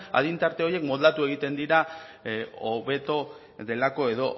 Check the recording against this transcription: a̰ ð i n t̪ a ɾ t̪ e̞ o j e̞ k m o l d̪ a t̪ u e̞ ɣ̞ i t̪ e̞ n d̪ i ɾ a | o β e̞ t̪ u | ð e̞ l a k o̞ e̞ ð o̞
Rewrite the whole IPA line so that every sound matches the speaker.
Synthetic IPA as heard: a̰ ð i n t̪ a ɾ t̪ e̞ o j e̞ k m o l d̪ a t̪ u e̞ ɣ̞ i t̪ e̞ n d̪ i ɾ a | o β e̞ t̪ o | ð e̞ l a k o̞ e̞ ð o̞